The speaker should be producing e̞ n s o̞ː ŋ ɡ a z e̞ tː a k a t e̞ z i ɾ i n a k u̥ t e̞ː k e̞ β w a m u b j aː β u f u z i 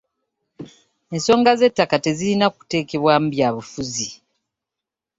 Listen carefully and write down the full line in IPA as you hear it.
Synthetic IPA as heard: e̞ n s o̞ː ŋ ɡ a z e̞ tː a k a t e̞ z i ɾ i n a k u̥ t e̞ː k e̞ β w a m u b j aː β u f u z i